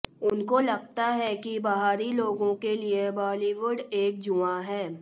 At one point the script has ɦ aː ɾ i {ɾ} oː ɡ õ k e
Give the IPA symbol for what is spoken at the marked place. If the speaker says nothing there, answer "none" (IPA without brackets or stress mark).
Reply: l